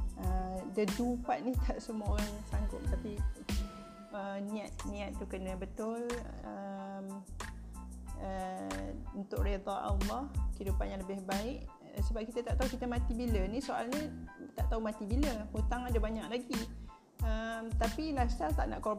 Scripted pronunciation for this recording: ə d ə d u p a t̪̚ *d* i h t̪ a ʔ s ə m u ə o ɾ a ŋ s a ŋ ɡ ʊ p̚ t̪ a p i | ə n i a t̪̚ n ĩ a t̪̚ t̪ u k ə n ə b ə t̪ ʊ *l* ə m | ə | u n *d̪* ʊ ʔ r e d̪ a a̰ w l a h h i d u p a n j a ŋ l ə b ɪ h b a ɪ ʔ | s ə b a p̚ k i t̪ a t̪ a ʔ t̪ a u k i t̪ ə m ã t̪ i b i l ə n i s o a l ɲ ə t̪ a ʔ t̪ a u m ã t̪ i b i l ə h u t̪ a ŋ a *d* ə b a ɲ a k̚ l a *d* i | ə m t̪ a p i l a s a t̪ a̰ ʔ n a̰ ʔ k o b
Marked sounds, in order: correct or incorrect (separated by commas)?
incorrect, correct, incorrect, correct, incorrect